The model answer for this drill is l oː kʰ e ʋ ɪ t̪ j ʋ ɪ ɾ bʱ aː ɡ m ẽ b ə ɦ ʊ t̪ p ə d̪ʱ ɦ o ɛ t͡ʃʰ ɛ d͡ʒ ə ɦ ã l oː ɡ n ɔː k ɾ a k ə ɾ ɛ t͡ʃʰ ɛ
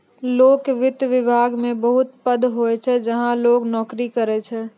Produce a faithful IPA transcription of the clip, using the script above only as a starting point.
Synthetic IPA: l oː k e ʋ ɪ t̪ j ʋ ɪ bʱ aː ɡ m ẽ b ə ɦ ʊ t̪ p ə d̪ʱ ɦ o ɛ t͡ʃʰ ɛ d͡ʒ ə ɦ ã l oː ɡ n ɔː k ɾ i k ə ɾ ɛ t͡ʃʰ ɛ